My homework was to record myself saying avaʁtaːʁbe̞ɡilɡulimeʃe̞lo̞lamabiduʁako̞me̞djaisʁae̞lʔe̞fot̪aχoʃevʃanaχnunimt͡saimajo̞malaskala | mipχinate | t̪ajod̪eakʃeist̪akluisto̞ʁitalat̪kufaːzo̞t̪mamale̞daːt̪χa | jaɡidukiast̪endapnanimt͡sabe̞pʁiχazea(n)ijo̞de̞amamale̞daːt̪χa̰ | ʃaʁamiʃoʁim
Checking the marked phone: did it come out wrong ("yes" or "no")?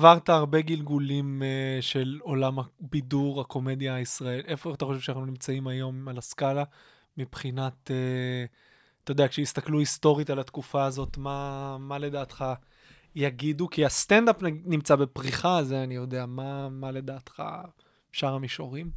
no